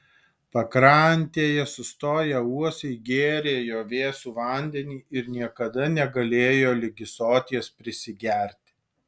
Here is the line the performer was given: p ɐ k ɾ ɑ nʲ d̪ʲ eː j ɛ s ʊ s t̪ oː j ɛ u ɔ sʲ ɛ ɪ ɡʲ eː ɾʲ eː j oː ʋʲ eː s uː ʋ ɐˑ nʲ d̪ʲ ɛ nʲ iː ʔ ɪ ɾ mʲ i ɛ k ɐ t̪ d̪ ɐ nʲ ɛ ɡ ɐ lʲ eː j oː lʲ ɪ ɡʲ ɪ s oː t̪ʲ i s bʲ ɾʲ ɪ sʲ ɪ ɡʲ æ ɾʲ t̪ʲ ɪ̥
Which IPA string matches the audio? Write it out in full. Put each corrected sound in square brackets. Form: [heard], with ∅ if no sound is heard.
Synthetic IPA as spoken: p ɐ k ɾ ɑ nʲ [t̪ʲ] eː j ɛ s ʊ s t̪ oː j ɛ u ɔ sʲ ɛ ɪ ɡʲ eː ɾʲ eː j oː ʋʲ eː s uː ʋ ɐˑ nʲ d̪ʲ ɛ nʲ iː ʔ ɪ ɾ [nʲ] i ɛ k ɐ [∅] d̪ ɐ nʲ ɛ ɡ ɐ lʲ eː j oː lʲ ɪ ɡʲ ɪ s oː t̪ʲ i s [pʲ] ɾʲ ɪ sʲ ɪ ɡʲ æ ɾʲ t̪ʲ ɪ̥